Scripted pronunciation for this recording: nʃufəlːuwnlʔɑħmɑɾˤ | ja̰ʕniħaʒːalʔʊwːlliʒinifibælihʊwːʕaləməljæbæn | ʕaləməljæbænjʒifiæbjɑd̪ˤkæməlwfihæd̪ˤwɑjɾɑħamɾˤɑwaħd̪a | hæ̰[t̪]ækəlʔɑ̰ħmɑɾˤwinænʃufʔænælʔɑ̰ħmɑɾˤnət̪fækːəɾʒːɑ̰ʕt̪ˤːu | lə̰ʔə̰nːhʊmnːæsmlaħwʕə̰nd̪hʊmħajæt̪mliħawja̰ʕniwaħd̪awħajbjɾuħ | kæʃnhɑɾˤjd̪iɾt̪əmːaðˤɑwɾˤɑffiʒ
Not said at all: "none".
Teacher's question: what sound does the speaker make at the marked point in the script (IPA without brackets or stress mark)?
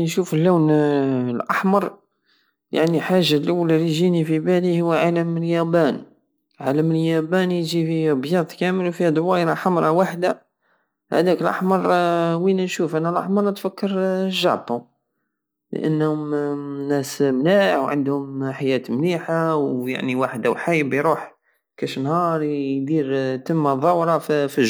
d̪